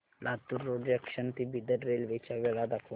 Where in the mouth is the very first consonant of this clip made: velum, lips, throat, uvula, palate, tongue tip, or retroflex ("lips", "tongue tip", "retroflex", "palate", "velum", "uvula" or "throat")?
tongue tip